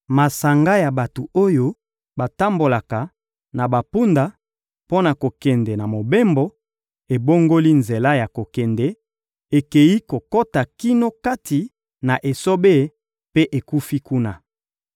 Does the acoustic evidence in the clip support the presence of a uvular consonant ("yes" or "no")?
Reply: no